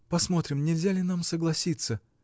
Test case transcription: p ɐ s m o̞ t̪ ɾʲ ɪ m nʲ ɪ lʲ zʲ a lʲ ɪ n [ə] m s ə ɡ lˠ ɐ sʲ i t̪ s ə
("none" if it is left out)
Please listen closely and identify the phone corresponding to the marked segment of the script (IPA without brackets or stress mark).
a